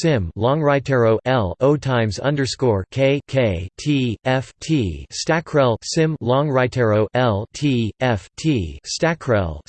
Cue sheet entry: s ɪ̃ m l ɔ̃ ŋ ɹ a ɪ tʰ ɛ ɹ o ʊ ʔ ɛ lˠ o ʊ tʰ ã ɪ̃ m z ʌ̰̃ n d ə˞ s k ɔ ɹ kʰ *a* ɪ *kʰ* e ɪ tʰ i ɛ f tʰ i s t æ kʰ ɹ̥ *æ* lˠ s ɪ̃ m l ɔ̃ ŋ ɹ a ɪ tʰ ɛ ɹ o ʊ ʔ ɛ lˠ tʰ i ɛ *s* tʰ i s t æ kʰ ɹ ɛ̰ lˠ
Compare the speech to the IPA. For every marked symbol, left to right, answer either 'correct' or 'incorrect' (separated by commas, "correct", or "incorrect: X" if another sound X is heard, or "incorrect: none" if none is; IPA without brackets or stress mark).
incorrect: e, correct, incorrect: ɛ, incorrect: f